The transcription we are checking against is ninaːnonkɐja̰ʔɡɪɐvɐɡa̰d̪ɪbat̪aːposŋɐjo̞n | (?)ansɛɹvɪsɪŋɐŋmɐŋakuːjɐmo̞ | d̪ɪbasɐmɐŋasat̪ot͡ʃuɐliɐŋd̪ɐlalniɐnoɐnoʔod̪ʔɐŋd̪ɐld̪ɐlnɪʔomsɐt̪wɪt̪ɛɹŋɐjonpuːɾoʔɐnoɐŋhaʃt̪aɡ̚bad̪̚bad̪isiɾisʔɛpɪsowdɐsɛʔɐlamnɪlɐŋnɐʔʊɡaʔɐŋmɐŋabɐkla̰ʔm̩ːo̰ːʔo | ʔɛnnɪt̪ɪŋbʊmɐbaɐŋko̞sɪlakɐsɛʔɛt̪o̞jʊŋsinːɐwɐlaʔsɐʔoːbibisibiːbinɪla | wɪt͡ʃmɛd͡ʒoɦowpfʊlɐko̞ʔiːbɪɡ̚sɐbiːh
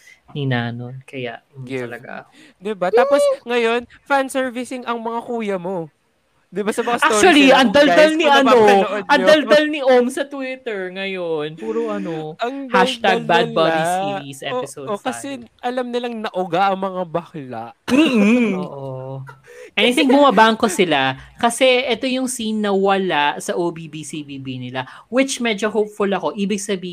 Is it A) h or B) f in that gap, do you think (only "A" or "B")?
B